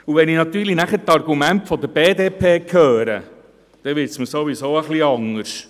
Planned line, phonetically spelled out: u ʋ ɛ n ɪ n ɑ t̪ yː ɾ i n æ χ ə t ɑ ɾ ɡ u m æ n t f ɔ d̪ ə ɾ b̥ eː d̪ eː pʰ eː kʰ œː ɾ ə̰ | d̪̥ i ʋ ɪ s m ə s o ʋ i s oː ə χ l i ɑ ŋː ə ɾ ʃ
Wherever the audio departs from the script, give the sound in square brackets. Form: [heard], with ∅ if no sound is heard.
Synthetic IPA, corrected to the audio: u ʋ ɛ n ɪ n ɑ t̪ yː [l] i n æ χ ə t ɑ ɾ ɡ u m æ n t f ɔ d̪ ə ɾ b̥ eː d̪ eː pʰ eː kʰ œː ɾ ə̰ | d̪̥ [ɛ] ʋ ɪ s m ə s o ʋ i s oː ə χ l i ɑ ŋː ə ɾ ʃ

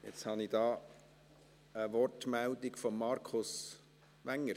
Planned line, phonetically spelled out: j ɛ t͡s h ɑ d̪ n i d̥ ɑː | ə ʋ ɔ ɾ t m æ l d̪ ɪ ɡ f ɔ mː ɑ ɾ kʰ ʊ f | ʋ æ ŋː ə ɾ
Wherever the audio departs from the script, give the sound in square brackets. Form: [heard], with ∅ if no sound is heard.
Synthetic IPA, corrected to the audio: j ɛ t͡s h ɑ [∅] n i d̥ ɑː | ə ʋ ɔ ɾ t m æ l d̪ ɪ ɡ f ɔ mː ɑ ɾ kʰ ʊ [s] | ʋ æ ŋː ə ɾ

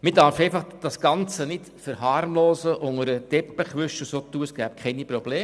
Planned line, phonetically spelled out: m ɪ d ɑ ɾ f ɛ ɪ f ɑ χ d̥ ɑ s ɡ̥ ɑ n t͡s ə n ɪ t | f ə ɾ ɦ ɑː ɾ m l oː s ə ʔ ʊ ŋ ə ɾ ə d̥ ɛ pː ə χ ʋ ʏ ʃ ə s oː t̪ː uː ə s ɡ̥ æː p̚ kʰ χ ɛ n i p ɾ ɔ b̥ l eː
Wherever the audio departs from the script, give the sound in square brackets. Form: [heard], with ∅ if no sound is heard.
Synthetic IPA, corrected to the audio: m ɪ d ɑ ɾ f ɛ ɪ f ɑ χ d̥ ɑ s ɡ̥ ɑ n t͡s ə n ɪ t | f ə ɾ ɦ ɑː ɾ m l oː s ə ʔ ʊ ŋ ə ɾ ə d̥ ɛ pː ə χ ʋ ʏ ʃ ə s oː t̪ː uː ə s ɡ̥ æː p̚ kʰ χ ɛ n i p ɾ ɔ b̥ l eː

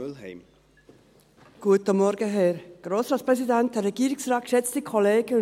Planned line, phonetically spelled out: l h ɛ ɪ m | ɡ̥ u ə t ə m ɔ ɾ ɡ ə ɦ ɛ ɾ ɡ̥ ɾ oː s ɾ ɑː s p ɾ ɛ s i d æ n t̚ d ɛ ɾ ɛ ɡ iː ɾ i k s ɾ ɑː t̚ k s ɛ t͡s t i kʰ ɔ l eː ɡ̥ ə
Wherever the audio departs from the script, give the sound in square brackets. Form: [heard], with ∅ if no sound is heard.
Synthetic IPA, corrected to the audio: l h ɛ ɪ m | ɡ̥ u ə t ə m ɔ ɾ ɡ ə ɦ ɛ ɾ ɡ̥ ɾ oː s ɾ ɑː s p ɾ ɛ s i d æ n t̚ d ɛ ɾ ɛ ɡ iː ɾ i k s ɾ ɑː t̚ k [ʃ] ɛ t͡s t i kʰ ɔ l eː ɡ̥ ə

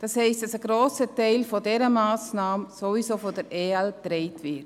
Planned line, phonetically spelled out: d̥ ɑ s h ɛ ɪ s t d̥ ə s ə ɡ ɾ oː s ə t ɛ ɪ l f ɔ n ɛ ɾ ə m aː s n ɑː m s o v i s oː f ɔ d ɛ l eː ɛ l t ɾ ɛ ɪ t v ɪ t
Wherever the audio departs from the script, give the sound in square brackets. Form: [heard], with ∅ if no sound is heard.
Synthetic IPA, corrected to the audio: d̥ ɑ s h ɛ ɪ s t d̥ [ɑ] s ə ɡ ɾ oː s ə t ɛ ɪ l f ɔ [d] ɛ ɾ ə m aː s n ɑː m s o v i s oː f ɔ d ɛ [ɾ] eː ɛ l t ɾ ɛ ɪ t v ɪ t

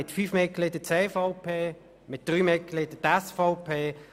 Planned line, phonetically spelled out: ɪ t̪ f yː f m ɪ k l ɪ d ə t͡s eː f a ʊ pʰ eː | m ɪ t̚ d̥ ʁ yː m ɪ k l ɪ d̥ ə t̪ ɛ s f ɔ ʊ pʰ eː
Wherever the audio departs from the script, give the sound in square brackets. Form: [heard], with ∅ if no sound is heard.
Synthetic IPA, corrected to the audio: ɪ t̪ f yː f m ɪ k l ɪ d ə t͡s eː f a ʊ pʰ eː | m ɪ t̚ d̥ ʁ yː m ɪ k l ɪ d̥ ə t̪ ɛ s f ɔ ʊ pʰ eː

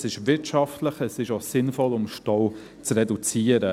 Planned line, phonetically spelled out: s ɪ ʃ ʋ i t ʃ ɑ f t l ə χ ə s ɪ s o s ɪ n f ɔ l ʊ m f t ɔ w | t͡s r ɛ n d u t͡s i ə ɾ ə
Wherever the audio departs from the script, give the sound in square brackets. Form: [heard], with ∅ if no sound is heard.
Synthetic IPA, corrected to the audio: s ɪ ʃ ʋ [ɪ] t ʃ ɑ f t l ə χ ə s ɪ [ʃ] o s ɪ n f ɔ l ʊ m [ʃ] t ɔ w | t͡s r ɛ [∅] d u t͡s i ə ɾ ə

